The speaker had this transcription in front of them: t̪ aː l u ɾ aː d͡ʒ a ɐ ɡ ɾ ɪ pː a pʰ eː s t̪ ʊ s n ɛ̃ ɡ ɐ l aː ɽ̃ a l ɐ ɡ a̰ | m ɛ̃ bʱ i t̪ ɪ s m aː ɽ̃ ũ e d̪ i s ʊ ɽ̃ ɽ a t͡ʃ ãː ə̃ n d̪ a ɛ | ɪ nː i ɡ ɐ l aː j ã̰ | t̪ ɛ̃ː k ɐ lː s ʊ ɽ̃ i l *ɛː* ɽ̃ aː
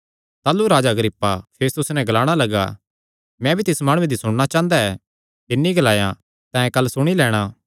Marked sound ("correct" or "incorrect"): correct